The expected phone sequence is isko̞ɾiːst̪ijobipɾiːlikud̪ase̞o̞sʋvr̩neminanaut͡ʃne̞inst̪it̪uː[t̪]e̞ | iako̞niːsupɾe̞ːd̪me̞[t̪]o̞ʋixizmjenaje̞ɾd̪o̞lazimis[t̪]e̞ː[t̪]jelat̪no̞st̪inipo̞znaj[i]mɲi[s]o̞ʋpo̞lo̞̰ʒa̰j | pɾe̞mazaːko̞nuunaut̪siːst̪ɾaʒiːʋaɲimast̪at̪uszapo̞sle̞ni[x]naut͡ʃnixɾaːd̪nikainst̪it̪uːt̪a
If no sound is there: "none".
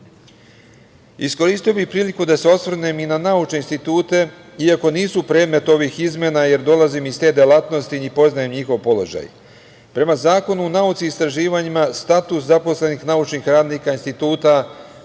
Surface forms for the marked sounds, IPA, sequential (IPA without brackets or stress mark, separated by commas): t̪, t̪, t̪, d̪, e, x, x